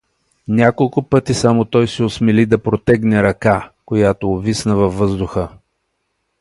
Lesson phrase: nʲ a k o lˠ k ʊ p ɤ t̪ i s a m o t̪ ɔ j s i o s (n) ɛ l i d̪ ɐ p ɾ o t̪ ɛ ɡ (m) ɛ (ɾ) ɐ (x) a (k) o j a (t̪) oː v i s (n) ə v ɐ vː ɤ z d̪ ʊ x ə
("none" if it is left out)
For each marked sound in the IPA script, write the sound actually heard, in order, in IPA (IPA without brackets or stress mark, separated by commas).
m, n, ɾ, k, k, t̪, n